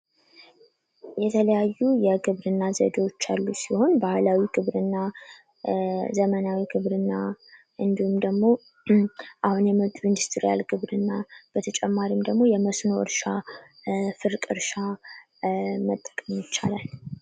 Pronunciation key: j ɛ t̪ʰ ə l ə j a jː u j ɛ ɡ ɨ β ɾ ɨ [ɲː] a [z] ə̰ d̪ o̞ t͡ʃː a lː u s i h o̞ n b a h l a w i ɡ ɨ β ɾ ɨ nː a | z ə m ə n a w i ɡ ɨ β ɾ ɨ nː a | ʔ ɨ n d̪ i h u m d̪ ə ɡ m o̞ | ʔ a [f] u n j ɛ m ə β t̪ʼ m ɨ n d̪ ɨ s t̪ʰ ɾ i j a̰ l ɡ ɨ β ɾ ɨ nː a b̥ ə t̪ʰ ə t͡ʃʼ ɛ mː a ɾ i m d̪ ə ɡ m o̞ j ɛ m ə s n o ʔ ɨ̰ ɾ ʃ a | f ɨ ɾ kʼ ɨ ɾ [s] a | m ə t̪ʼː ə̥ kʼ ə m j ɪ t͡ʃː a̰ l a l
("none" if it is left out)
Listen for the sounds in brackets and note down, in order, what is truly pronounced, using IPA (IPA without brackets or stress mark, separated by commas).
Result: nː, z, h, ʃ